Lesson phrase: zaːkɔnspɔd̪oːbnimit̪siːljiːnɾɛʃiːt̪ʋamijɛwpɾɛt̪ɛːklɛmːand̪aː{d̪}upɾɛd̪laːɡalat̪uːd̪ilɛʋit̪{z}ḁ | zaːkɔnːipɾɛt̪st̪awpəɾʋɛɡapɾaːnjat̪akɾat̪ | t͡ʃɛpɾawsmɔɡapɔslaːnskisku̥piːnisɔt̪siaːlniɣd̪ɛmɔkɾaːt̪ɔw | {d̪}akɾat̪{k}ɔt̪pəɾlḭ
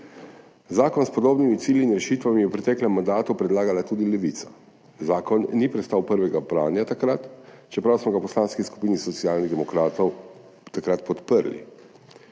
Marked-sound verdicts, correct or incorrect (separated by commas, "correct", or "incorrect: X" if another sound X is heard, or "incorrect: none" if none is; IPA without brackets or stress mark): incorrect: t̪, incorrect: s, incorrect: t̪, incorrect: p